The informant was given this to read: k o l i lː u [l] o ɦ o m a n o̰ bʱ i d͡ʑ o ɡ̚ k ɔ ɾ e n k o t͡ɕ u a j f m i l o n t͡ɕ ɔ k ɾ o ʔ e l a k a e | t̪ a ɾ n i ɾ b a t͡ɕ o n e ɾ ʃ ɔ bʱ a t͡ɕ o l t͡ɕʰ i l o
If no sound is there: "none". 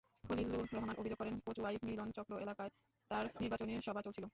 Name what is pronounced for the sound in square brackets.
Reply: ɾ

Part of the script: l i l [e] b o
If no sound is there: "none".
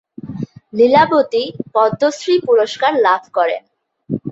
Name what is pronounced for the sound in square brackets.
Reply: a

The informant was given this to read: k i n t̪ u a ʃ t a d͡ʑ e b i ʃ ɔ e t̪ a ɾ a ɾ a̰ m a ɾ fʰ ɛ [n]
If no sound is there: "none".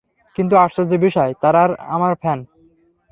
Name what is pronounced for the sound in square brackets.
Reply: n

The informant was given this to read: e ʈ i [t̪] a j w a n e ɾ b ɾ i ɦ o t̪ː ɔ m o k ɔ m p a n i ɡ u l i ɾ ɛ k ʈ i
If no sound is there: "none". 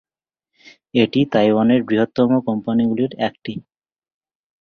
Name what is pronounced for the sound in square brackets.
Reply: t̪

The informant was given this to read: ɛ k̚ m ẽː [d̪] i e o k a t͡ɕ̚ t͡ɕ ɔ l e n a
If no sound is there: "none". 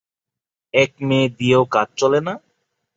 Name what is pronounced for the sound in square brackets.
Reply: d̪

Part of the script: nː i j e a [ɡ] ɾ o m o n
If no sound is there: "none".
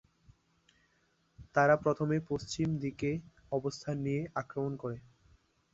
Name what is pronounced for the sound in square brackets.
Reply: k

